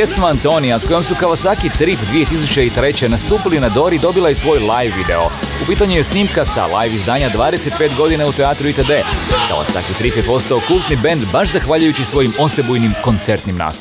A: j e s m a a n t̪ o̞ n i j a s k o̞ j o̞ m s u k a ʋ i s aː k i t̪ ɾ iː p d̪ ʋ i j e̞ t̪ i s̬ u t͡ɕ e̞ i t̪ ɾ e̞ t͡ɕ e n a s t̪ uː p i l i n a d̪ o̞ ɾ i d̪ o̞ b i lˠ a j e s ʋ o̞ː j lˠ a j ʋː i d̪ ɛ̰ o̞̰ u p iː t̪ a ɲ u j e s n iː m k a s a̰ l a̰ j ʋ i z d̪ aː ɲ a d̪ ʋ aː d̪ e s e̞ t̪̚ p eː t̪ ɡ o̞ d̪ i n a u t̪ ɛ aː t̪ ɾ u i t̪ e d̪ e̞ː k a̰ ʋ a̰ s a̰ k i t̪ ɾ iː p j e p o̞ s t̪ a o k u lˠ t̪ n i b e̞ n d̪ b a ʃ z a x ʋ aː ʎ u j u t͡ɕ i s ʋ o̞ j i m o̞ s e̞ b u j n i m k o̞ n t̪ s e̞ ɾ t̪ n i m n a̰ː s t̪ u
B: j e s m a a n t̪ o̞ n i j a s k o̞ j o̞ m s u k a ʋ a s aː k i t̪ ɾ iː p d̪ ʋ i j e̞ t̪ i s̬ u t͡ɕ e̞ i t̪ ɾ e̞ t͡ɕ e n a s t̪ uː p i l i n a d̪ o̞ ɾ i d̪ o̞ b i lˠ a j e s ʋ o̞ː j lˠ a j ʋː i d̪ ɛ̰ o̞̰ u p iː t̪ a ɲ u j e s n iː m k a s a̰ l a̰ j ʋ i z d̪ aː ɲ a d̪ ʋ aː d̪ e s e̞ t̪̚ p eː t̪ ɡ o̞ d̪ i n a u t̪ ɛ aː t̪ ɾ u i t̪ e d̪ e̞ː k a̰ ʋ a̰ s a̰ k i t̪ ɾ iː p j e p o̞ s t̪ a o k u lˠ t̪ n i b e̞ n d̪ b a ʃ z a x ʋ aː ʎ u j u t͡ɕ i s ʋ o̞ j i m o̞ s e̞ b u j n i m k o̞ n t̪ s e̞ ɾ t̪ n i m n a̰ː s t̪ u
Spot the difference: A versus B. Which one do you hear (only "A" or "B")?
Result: B